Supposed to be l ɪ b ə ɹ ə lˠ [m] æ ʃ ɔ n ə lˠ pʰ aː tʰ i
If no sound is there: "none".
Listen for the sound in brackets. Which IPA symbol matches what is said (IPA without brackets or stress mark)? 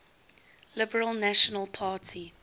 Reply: n